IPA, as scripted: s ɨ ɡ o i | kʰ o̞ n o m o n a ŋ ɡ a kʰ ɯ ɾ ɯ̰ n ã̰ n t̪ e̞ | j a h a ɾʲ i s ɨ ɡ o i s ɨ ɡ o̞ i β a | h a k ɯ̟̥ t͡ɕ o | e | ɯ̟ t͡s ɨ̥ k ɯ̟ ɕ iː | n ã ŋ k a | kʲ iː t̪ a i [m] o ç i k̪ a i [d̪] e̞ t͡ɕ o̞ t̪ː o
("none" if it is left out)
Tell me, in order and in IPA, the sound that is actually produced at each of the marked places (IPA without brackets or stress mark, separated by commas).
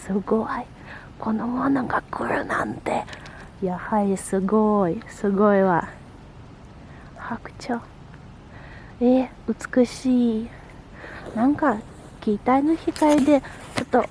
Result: n, d̪